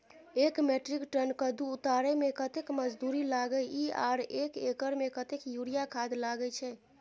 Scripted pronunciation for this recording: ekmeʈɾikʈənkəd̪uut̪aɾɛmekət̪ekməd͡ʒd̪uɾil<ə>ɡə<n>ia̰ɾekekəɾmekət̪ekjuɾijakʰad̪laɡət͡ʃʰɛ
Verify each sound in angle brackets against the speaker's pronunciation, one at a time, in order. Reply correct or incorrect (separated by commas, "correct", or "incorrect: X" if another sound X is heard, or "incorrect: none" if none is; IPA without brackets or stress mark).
incorrect: a, incorrect: none